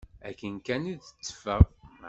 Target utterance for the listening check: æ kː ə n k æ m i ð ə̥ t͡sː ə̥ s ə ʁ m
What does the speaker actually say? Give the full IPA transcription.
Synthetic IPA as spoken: æ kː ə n k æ n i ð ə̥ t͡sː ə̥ f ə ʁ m